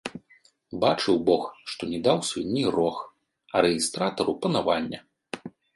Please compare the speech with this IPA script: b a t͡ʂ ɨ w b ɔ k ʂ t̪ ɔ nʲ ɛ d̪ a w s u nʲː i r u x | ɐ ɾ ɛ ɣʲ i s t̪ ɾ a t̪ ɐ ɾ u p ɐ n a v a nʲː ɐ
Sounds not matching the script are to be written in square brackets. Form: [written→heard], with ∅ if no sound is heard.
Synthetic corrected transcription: b a t͡ʂ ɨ w b ɔ [k→x] ʂ t̪ ɔ nʲ ɛ d̪ a w s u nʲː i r [u→ɔ] x | ɐ ɾ ɛ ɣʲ i s t̪ ɾ a t̪ ɐ ɾ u p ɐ n a v a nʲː ɐ

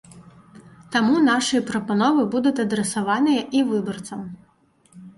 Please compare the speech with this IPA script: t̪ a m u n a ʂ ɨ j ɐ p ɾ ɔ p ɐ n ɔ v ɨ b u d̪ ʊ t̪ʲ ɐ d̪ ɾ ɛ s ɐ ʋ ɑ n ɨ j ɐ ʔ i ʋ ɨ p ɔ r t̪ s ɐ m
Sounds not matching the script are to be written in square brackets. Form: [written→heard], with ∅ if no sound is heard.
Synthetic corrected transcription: t̪ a m u n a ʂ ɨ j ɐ p ɾ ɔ p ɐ n ɔ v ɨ b u d̪ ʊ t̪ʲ ɐ d̪ ɾ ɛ s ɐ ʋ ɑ n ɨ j ɐ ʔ i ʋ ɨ [p→b] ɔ r t̪ s ɐ m

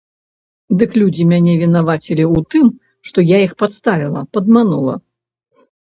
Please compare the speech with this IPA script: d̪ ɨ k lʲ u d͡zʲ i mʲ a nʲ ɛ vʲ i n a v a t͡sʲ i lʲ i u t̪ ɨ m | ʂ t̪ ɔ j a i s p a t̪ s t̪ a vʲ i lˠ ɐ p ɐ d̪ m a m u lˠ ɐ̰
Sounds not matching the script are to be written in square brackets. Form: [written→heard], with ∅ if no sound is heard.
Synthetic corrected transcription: d̪ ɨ k lʲ u d͡zʲ i mʲ a nʲ ɛ vʲ i n a v a t͡sʲ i lʲ i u t̪ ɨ m | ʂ t̪ ɔ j a i [s→x] p a t̪ s t̪ a vʲ i lˠ ɐ p ɐ d̪ m a [m→n] u lˠ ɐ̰

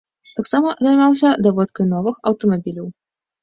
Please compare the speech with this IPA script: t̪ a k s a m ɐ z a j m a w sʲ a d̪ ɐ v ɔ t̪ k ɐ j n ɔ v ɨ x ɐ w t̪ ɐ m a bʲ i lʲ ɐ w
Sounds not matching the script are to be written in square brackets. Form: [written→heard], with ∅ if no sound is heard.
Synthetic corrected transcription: t̪ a k s a m ɐ z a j m a w sʲ [a→ɐ] d̪ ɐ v ɔ t̪ k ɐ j n ɔ v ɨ x ɐ w t̪ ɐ m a bʲ i lʲ ɐ w

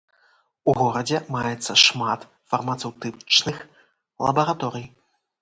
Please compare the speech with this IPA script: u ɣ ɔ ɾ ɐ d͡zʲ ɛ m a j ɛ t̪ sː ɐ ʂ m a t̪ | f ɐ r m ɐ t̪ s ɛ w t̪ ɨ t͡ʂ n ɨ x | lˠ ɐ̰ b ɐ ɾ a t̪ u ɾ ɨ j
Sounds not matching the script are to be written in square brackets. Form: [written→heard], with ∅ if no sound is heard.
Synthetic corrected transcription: u ɣ ɔ ɾ ɐ d͡zʲ ɛ m a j ɛ t̪ sː ɐ ʂ m a t̪ | f ɐ r m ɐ t̪ s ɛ w t̪ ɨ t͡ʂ n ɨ x | lˠ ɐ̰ b ɐ ɾ a t̪ [u→ɔ] ɾ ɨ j

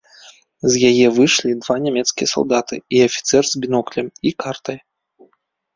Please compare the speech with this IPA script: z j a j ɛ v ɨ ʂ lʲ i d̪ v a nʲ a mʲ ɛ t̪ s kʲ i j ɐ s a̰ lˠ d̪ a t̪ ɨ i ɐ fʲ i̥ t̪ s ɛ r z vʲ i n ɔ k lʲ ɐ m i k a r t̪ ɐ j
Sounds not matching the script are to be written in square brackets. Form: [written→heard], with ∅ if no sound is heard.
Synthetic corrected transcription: z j a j ɛ v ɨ ʂ lʲ i d̪ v a nʲ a mʲ ɛ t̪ s kʲ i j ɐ s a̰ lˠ d̪ a t̪ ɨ i ɐ fʲ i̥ t̪ s ɛ r z [vʲ→bʲ] i n ɔ k lʲ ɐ m i k a r t̪ ɐ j

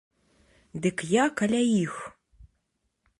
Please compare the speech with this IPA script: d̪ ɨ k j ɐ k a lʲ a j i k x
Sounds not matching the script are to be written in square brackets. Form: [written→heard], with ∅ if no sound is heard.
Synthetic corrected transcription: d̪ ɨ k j [ɐ→a] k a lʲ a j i [k→∅] x

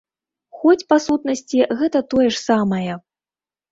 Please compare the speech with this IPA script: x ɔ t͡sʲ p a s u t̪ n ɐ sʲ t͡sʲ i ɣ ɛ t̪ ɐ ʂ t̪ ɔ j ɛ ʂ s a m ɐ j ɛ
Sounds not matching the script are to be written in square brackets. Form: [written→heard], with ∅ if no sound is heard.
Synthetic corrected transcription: x ɔ t͡sʲ p a s u t̪ n ɐ sʲ t͡sʲ i ɣ ɛ t̪ ɐ [ʂ→∅] t̪ ɔ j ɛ ʂ s a m ɐ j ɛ

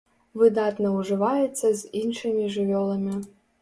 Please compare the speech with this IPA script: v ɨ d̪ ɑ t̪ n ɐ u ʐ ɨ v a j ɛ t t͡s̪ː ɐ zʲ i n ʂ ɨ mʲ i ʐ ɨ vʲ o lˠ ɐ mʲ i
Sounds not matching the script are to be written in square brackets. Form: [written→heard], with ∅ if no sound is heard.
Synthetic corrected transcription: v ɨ d̪ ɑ t̪ n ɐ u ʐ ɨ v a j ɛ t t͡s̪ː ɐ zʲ i n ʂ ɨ mʲ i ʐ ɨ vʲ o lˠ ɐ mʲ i

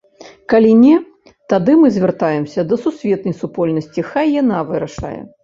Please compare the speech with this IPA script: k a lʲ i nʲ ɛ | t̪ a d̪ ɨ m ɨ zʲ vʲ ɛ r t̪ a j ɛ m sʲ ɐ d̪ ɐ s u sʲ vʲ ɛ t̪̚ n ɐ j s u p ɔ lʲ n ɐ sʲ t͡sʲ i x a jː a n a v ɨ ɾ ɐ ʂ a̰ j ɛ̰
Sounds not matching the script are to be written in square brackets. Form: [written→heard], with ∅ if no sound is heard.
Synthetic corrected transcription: k a lʲ i nʲ ɛ | t̪ a d̪ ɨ m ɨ zʲ vʲ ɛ r t̪ a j ɛ m sʲ ɐ d̪ ɐ s u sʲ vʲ ɛ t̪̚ n ɐ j s u p ɔ lʲ n ɐ sʲ t͡sʲ i x a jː a n a v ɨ ɾ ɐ ʂ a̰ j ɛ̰

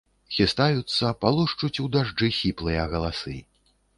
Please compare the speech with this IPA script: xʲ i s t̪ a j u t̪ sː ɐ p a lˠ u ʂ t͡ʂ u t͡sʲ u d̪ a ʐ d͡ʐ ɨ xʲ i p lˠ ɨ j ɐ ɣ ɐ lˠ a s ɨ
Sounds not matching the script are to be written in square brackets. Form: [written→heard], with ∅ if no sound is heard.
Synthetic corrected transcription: xʲ i s t̪ a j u t̪ sː ɐ p a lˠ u ʂ t͡ʂ u t͡sʲ u d̪ a ʐ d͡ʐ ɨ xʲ i p lˠ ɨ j ɐ ɣ ɐ lˠ a s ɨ

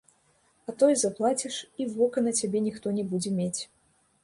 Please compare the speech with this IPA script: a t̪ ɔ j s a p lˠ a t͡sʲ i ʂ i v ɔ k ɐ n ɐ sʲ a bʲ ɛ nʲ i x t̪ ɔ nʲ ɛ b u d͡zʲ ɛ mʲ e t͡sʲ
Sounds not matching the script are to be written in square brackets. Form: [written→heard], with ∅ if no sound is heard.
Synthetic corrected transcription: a t̪ ɔ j [s→z] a p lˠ a t͡sʲ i ʂ i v ɔ k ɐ n ɐ [sʲ→t͡sʲ] a bʲ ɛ nʲ i x t̪ ɔ nʲ ɛ b u d͡zʲ ɛ mʲ e t͡sʲ

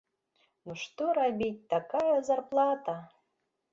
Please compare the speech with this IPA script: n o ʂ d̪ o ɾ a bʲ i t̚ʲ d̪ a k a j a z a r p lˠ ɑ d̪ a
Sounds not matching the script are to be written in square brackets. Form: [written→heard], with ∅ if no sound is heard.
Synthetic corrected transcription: n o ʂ [d̪→t̪] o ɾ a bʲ i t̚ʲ [d̪→t̪] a k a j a z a r p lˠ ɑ [d̪→t̪] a

